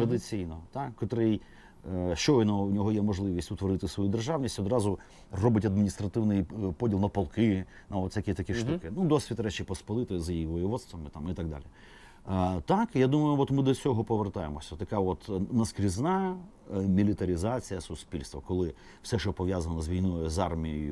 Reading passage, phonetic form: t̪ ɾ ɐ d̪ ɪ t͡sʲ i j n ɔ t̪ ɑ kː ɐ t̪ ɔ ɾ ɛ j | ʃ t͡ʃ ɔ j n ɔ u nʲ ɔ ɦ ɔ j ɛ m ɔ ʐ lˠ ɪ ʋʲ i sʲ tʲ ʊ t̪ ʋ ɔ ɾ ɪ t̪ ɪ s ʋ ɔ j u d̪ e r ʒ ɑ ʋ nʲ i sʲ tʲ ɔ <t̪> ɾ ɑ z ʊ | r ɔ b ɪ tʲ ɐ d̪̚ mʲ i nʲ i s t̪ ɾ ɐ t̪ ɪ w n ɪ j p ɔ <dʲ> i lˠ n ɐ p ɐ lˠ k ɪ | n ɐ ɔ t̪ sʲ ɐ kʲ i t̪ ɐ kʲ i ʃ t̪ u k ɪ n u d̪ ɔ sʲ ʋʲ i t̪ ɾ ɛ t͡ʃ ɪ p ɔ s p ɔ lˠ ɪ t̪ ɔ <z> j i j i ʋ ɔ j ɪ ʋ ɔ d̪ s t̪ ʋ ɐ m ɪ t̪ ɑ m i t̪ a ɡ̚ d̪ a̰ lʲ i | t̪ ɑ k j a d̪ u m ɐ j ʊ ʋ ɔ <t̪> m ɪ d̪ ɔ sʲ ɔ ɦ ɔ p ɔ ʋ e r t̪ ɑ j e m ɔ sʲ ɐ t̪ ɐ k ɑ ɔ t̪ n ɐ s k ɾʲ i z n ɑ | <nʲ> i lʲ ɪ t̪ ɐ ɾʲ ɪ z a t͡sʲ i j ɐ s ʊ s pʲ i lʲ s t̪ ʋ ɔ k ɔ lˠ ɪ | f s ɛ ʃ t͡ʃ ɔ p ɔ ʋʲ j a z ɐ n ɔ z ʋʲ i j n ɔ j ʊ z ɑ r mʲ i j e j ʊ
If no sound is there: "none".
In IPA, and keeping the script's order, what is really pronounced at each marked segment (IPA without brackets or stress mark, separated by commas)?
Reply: d̪, dʲ, z, t̪, mʲ